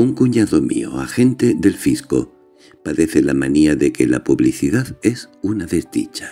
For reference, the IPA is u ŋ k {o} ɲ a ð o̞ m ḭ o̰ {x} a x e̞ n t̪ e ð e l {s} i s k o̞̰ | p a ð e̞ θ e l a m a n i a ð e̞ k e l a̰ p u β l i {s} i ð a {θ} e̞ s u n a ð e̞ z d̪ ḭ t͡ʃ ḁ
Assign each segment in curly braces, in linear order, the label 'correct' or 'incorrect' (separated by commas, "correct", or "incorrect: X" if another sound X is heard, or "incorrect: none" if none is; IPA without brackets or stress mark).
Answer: incorrect: u, incorrect: none, incorrect: f, incorrect: θ, incorrect: ð